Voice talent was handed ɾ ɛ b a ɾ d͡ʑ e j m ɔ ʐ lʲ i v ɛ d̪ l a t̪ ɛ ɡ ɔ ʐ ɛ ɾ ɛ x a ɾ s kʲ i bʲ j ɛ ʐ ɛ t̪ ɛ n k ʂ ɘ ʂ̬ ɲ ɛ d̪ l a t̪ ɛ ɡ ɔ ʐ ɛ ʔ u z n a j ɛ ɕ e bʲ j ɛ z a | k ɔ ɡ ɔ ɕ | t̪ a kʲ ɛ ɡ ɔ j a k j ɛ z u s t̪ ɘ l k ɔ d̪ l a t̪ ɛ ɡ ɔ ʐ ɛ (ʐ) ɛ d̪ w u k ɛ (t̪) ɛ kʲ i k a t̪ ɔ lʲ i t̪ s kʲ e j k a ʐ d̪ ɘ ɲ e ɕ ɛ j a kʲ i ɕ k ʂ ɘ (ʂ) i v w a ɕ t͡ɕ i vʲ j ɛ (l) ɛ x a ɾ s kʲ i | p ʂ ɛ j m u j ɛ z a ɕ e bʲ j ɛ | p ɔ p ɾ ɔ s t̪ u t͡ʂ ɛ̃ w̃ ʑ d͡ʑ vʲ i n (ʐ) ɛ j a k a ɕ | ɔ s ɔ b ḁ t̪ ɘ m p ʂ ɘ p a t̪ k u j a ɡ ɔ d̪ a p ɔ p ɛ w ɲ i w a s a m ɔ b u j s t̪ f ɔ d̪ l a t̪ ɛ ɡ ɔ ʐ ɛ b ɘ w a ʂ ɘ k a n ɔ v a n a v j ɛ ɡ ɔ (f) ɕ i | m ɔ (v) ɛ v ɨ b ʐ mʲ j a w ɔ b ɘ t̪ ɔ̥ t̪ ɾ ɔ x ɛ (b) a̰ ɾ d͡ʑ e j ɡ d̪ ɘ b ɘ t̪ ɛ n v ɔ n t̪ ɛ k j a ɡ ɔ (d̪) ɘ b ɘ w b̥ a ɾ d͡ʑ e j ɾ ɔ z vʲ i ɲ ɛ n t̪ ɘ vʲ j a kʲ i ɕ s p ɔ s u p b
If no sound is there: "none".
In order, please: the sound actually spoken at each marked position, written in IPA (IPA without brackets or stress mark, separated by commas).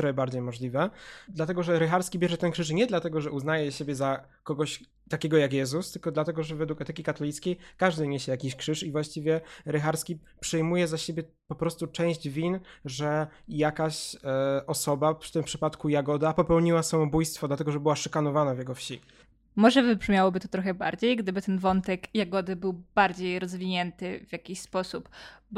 v, t̪, ʂ, ɾ, ʐ, f, ʐ, b, d̪